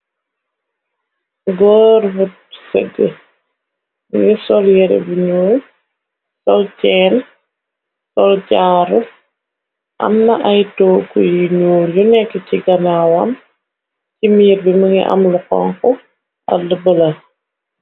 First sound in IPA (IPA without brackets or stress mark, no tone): ɡ